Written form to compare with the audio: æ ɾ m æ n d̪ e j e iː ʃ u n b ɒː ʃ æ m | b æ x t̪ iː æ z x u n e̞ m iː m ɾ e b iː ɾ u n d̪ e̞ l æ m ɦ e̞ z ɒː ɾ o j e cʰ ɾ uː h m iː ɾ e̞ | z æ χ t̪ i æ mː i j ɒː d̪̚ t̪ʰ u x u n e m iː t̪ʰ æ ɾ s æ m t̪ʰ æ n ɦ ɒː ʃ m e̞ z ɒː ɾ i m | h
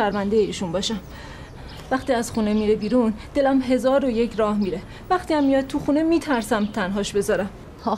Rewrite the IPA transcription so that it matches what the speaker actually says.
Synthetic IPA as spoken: æ ɾ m æ n d̪ e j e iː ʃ u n b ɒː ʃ æ m | v æ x t̪ iː æ z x u n e̞ m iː ɾ e b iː ɾ u n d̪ e̞ l æ m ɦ e̞ z ɒː ɾ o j e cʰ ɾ ɒː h m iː ɾ e̞ | v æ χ t̪ i æ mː i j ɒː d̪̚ t̪ʰ u x u n e m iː t̪ʰ æ ɾ s æ m t̪ʰ æ n ɦ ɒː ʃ b e̞ z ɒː ɾ æ m | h